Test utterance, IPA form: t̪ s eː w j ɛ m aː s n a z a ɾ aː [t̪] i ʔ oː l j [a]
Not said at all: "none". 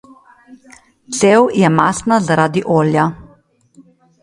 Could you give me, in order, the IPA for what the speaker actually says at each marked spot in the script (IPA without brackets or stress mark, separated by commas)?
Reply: d̪, a